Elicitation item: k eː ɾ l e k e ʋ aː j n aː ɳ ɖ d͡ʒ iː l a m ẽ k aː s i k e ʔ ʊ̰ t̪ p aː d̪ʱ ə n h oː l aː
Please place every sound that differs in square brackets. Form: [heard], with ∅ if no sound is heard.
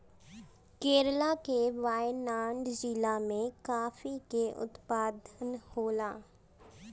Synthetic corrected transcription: k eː ɾ l [a] k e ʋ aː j n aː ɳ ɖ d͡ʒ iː l a m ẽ k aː [f] i k e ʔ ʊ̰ t̪ p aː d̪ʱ ə n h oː l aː